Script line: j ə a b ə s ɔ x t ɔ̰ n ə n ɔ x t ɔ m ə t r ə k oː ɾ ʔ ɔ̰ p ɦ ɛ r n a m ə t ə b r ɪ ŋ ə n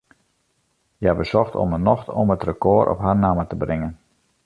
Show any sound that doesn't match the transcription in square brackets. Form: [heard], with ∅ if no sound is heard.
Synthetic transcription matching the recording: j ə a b ə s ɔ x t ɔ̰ [m] ə n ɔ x t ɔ m ə t r ə k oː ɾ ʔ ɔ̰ p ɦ [a] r n a m ə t ə b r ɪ ŋ ə n